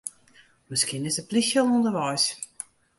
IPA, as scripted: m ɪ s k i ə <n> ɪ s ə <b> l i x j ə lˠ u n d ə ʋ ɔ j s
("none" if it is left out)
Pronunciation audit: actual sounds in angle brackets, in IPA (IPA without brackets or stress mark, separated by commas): n, p